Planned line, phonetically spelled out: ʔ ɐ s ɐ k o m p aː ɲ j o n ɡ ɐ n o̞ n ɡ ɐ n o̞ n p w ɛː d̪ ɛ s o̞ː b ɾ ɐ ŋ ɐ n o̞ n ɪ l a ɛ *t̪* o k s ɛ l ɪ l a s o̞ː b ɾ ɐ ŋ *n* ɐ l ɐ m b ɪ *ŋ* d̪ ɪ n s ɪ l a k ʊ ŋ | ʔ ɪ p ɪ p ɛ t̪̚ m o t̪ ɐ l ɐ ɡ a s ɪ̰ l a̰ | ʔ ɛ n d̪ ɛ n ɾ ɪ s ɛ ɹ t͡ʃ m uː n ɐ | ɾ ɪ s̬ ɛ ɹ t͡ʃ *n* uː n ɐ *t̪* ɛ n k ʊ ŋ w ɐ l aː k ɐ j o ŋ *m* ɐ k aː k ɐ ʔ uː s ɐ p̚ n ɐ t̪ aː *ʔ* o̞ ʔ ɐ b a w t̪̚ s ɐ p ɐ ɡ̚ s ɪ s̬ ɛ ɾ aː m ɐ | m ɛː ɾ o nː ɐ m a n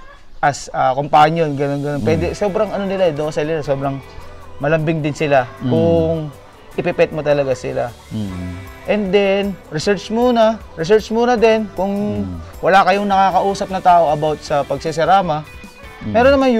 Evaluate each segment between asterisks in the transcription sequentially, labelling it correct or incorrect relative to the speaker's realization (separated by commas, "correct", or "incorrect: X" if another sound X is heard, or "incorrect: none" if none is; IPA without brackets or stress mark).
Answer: incorrect: d̪, incorrect: m, correct, incorrect: m, incorrect: d̪, incorrect: n, correct